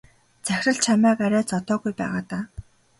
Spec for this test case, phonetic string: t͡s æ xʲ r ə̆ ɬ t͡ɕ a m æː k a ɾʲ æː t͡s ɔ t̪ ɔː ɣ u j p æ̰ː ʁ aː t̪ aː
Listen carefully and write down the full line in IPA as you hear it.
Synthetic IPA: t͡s æ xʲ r ə̆ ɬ t͡ɕʰ a m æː k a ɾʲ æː t͡s ɔ t̪ ɔː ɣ u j p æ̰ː ʁ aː t̪ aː